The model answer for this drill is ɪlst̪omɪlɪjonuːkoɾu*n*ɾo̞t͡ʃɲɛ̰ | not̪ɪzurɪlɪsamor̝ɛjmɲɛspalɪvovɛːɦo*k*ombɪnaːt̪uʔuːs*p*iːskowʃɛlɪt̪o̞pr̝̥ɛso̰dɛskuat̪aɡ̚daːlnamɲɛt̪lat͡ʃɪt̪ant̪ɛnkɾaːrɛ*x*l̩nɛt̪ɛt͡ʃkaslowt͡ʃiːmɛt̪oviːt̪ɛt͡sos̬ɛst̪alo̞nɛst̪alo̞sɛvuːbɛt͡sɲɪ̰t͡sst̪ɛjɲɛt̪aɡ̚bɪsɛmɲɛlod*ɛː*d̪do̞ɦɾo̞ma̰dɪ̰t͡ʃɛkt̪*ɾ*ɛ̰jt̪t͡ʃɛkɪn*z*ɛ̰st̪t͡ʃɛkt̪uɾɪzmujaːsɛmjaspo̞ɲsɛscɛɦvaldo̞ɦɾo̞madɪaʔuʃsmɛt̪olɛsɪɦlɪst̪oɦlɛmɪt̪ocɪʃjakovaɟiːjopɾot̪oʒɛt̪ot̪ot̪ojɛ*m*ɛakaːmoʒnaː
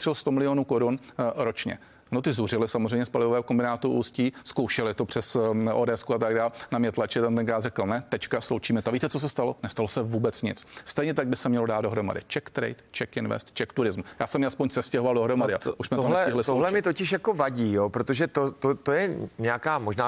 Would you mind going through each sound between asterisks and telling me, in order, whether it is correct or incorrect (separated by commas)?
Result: correct, correct, incorrect, incorrect, incorrect, correct, incorrect, incorrect